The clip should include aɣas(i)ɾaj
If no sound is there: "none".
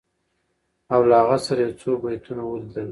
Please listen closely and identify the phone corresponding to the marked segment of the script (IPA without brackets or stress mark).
a